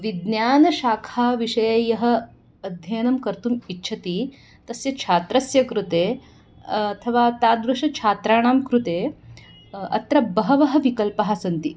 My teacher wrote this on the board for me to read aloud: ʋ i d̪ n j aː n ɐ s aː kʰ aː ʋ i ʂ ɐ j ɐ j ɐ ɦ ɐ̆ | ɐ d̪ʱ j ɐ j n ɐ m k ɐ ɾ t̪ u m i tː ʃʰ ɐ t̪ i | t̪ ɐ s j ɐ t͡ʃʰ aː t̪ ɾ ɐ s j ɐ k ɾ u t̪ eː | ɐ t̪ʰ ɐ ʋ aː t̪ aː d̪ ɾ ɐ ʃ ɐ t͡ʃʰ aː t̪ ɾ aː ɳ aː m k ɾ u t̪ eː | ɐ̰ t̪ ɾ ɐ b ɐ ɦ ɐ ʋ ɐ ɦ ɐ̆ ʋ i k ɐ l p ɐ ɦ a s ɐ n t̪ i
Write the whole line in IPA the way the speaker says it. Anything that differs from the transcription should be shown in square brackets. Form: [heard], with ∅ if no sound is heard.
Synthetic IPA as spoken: ʋ i d̪ n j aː n ɐ [ʃ] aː kʰ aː ʋ i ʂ ɐ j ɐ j ɐ ɦ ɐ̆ | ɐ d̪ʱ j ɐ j n ɐ m k ɐ ɾ t̪ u m i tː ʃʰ ɐ t̪ i | t̪ ɐ s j ɐ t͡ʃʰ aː t̪ ɾ ɐ s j ɐ k ɾ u t̪ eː | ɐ t̪ʰ ɐ ʋ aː t̪ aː d̪ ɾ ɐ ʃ ɐ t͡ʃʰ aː t̪ ɾ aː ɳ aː m k ɾ u t̪ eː | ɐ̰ t̪ ɾ ɐ b ɐ ɦ ɐ ʋ ɐ ɦ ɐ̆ ʋ i k ɐ l p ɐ ɦ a s ɐ n t̪ i

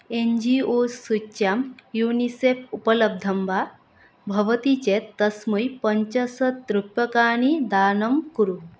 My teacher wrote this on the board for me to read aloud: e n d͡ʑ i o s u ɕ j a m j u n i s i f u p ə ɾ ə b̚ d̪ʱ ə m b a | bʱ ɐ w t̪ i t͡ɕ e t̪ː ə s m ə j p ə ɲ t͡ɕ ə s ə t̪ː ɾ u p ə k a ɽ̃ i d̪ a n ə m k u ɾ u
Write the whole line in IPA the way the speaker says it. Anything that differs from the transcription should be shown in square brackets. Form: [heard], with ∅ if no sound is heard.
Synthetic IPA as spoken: e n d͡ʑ i o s u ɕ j a m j u n i s [e] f u p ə [l] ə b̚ d̪ʱ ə m b a | bʱ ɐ [ʋ] t̪ i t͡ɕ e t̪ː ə s m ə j p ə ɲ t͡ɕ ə s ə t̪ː ɾ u p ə k a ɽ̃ i d̪ a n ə m k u ɾ u

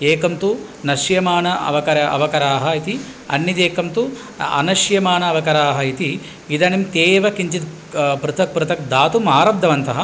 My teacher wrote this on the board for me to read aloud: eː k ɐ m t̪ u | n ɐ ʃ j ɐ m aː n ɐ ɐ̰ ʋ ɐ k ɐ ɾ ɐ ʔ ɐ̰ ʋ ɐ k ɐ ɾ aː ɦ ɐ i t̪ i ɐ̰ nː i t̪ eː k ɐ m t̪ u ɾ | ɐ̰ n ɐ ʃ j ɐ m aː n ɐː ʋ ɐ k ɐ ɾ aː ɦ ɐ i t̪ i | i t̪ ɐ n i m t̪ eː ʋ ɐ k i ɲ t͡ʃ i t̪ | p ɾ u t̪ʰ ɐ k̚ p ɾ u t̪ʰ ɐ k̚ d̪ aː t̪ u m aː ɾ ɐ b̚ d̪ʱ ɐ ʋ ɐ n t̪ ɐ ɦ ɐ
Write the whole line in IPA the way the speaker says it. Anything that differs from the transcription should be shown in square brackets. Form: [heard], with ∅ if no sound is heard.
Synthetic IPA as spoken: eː k ɐ m t̪ u | n ɐ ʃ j ɐ m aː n ɐ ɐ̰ ʋ ɐ k ɐ ɾ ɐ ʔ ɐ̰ ʋ ɐ k ɐ ɾ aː ɦ ɐ i t̪ i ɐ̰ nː i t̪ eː k ɐ m t̪ u [∅] | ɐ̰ n ɐ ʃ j ɐ m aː n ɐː ʋ ɐ k ɐ ɾ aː ɦ ɐ i t̪ i | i [d̪] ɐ n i m t̪ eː ʋ ɐ k i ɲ t͡ʃ i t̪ | p ɾ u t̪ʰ ɐ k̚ p ɾ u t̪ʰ ɐ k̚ d̪ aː t̪ u m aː ɾ ɐ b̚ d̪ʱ ɐ ʋ ɐ n t̪ ɐ ɦ ɐ

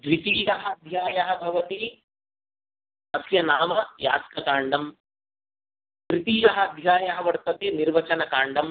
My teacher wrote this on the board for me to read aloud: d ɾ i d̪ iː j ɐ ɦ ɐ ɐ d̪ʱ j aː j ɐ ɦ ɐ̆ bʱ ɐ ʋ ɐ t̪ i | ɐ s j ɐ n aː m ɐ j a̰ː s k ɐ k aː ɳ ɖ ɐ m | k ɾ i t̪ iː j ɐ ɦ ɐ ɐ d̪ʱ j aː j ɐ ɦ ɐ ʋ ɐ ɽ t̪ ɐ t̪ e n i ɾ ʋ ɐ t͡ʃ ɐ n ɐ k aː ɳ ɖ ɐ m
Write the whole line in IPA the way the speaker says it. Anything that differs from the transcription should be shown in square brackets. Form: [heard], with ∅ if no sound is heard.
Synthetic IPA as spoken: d ɾ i [t̪] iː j ɐ ɦ ɐ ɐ d̪ʱ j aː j ɐ ɦ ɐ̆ bʱ ɐ ʋ ɐ t̪ i | ɐ s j ɐ n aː m ɐ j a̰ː s k ɐ k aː ɳ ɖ ɐ m | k ɾ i t̪ iː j ɐ ɦ ɐ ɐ d̪ʱ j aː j ɐ ɦ ɐ ʋ ɐ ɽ t̪ ɐ t̪ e n i ɾ ʋ ɐ t͡ʃ ɐ n ɐ k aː ɳ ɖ ɐ m

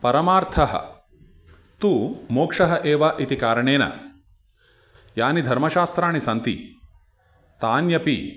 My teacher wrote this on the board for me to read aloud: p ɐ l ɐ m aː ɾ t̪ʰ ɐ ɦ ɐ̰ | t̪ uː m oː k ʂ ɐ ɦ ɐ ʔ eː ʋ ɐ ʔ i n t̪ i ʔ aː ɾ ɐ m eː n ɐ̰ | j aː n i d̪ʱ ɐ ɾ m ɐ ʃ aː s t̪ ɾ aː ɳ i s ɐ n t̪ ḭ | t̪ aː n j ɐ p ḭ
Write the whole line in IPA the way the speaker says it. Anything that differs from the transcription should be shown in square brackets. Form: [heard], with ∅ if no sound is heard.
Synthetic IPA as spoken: p ɐ [ɾ] ɐ m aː ɾ t̪ʰ ɐ ɦ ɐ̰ | t̪ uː m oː k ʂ ɐ ɦ ɐ ʔ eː ʋ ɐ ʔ i [∅] t̪ i [k] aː ɾ ɐ [ɳ] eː n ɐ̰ | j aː n i d̪ʱ ɐ ɾ m ɐ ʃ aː s t̪ ɾ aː ɳ i s ɐ n t̪ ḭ | t̪ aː n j ɐ p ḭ

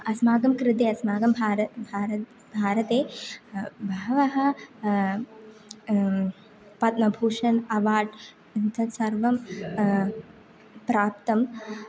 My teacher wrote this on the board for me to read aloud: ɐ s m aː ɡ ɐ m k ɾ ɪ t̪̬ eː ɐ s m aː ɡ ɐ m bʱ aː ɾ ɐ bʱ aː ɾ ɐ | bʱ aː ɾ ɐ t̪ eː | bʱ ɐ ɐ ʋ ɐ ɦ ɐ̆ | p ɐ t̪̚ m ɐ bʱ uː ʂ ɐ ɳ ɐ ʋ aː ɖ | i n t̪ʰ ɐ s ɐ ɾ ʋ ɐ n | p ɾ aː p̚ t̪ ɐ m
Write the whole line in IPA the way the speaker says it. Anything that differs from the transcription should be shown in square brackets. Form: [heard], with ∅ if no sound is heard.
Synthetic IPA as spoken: ɐ s m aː ɡ ɐ m k ɾ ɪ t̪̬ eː ɐ s m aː ɡ ɐ m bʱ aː ɾ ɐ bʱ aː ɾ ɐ | bʱ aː ɾ ɐ t̪ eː | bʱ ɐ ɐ ʋ ɐ ɦ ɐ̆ | p ɐ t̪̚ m ɐ bʱ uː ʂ ɐ [n] ɐ ʋ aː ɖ | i n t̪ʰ ɐ s ɐ ɾ ʋ ɐ [m] | p ɾ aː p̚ t̪ ɐ m

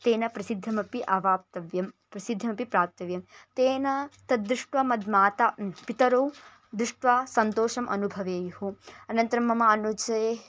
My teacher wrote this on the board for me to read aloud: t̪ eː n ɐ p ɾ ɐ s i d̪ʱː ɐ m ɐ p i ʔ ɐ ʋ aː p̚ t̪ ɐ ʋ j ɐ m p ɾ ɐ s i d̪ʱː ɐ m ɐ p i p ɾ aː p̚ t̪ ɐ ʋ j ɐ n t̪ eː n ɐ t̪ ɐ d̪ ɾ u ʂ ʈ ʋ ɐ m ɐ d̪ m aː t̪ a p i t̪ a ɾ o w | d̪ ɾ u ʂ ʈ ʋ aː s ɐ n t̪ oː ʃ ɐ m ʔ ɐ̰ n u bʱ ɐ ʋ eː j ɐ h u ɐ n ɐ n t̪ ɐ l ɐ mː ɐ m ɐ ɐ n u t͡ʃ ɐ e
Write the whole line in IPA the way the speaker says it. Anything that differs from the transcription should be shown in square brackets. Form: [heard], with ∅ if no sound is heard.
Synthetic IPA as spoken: t̪ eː n ɐ p ɾ ɐ s i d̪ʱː ɐ m ɐ p i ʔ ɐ ʋ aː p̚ t̪ ɐ ʋ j ɐ m p ɾ ɐ s i d̪ʱː ɐ m ɐ p i p ɾ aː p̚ t̪ ɐ ʋ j ɐ [m] t̪ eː n ɐ t̪ ɐ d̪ ɾ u ʂ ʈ ʋ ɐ m ɐ d̪ m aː t̪ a p i t̪ [ɐ] ɾ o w | d̪ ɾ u ʂ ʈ ʋ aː s ɐ n t̪ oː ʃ ɐ m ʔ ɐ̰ n u bʱ ɐ ʋ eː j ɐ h u ɐ n ɐ n t̪ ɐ [ɾ] ɐ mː ɐ m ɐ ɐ n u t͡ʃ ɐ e

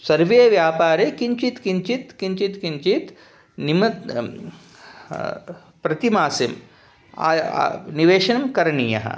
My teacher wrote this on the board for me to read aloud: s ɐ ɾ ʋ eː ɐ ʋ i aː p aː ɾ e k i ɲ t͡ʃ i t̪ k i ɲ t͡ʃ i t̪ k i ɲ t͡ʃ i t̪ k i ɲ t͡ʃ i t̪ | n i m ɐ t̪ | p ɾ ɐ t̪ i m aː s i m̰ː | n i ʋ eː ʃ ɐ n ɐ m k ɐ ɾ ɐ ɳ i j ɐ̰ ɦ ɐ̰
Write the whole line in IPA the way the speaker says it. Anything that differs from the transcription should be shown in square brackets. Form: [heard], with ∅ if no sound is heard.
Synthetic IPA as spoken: s ɐ ɾ ʋ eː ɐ ʋ [j] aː p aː ɾ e k i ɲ t͡ʃ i t̪ k i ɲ t͡ʃ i t̪ k i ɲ t͡ʃ i t̪ k i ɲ t͡ʃ i t̪ | n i m ɐ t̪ | p ɾ ɐ t̪ i m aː s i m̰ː | n i ʋ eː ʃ ɐ n ɐ m k ɐ ɾ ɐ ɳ i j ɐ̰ ɦ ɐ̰

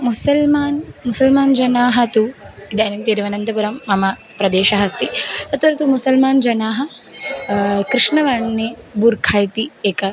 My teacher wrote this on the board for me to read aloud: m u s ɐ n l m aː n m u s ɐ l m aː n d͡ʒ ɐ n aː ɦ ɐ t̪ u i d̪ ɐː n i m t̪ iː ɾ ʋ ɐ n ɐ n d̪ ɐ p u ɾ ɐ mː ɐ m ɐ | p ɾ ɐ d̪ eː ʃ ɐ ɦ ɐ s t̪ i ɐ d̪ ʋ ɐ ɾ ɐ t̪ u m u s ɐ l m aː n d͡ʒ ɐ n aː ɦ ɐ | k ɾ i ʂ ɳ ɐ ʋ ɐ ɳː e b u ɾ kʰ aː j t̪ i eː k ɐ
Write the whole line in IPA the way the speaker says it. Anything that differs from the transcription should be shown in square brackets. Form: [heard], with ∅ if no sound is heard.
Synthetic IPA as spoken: m u s ɐ [∅] l m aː n m u s ɐ l m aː n d͡ʒ ɐ n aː ɦ ɐ t̪ u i d̪ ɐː n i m t̪ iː ɾ ʋ ɐ n ɐ n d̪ ɐ p u ɾ ɐ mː ɐ m ɐ | p ɾ ɐ d̪ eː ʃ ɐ ɦ ɐ s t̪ i ɐ [t̪] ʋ ɐ ɾ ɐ t̪ u m u s ɐ l m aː n d͡ʒ ɐ n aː ɦ ɐ | k ɾ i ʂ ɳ ɐ ʋ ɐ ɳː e b u ɾ kʰ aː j t̪ i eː k ɐ

